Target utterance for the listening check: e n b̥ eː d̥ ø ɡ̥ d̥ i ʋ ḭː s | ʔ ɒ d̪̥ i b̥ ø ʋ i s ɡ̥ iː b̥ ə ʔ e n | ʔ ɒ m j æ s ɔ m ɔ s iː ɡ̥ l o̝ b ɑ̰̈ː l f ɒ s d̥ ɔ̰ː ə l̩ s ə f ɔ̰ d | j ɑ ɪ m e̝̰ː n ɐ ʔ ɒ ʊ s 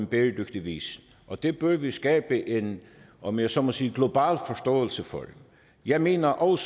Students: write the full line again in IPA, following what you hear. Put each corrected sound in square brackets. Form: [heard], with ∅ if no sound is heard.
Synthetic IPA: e n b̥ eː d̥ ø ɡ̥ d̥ i ʋ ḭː s | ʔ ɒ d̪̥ [e] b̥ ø ʋ i s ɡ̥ [ɛː] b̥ ə ʔ e n | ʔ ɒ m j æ s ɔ m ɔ s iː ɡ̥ l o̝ b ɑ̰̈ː l f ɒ s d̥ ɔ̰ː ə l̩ s ə f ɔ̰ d | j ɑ ɪ m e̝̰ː n ɐ ʔ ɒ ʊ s